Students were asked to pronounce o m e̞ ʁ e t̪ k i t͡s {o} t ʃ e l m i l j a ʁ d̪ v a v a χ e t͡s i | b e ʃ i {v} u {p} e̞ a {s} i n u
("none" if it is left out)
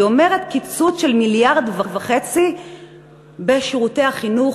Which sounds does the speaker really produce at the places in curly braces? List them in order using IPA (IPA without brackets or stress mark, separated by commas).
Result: u, ʁ, t, χ